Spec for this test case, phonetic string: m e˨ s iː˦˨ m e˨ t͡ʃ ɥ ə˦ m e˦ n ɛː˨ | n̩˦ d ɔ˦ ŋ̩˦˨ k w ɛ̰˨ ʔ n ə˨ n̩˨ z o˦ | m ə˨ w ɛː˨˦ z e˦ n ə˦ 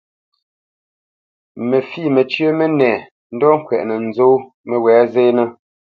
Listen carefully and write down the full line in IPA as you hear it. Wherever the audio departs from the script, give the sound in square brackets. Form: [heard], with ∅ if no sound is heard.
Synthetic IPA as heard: m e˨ [f] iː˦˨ m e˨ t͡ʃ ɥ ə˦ m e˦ n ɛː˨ | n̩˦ d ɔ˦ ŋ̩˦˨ k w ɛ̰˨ ʔ n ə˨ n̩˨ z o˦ | m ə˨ w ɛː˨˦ z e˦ n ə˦